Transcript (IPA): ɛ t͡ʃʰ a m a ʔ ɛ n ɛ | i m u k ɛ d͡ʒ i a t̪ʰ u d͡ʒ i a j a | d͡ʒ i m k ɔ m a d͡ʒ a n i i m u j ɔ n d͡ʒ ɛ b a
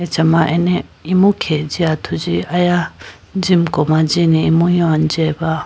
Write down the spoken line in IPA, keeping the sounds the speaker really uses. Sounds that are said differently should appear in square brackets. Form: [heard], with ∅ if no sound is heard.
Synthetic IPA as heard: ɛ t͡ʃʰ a m a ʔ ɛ n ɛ | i m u [kʰ] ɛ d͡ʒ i a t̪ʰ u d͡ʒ i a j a | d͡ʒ i m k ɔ m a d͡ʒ [i] n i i m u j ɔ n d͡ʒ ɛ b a